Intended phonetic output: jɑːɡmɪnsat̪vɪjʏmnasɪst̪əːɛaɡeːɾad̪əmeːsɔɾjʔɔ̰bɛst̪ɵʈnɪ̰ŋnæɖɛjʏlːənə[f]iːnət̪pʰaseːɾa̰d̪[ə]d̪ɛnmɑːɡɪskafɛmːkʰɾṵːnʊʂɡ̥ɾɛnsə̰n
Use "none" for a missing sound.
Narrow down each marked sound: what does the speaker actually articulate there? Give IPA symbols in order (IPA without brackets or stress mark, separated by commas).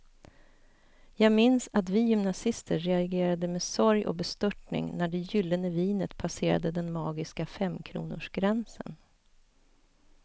v, ə